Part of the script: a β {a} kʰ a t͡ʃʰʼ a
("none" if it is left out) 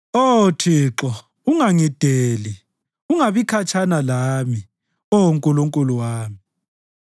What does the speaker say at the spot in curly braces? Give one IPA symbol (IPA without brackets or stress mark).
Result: i